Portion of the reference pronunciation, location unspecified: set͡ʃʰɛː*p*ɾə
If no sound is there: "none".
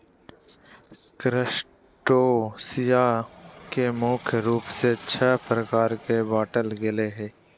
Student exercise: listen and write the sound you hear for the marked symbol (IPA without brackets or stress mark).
p